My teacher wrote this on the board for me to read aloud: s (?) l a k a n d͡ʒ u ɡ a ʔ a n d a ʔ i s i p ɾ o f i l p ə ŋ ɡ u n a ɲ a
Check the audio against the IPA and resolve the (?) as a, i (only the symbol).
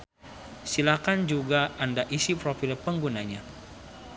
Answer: i